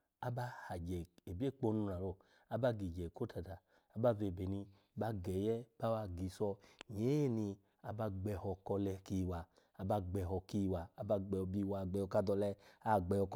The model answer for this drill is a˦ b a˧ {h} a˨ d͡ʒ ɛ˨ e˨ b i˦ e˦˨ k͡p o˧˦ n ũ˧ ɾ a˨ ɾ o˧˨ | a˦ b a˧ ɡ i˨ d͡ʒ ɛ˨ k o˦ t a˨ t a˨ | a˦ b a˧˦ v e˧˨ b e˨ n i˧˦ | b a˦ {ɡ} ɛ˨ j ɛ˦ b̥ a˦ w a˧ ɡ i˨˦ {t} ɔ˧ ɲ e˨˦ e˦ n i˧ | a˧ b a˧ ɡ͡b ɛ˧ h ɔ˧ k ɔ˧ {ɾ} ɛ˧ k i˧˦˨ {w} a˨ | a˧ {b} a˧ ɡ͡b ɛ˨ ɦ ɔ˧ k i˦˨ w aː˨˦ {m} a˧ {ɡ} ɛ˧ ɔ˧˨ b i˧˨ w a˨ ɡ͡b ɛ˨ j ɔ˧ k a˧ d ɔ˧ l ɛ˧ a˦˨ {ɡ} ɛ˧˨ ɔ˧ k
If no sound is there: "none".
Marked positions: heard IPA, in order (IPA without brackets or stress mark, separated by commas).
h, ɡ, s, l, w, b, b, ɡ͡b, ɡ͡b